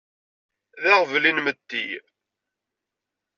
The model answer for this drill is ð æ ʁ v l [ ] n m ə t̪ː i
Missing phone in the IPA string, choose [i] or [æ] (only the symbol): i